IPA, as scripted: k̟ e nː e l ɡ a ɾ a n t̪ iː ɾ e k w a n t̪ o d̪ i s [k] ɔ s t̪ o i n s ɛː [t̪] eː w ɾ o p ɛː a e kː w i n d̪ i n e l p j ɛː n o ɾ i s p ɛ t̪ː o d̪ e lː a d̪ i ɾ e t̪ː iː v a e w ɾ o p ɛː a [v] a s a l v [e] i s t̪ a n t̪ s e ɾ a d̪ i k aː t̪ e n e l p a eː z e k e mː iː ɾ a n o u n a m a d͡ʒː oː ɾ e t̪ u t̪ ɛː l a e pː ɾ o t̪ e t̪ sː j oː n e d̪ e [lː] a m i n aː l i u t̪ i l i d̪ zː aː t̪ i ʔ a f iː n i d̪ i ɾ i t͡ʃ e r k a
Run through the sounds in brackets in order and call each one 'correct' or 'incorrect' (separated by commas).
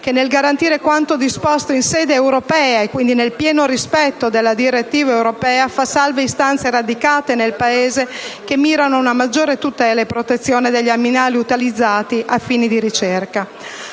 incorrect, incorrect, incorrect, correct, incorrect